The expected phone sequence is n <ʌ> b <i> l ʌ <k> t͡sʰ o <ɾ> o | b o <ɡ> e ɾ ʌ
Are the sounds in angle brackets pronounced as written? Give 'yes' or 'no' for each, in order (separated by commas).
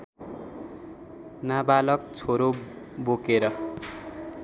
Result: no, no, yes, yes, no